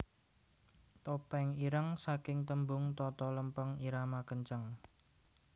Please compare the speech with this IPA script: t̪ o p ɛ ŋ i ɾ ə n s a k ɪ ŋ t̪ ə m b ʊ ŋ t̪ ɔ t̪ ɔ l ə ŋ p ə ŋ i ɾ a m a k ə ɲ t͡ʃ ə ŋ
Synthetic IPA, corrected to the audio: t̪ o p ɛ ŋ i ɾ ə ŋ s a k ɪ ŋ t̪ ə m b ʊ ŋ t̪ ɔ t̪ ɔ l ə m p ə ŋ i ɾ a m a k ə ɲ t͡ʃ ə ŋ